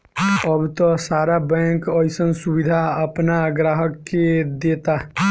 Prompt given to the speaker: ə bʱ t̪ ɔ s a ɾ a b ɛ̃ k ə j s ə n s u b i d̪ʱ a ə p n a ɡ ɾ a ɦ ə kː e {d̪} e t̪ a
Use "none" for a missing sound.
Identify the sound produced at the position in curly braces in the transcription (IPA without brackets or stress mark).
d̪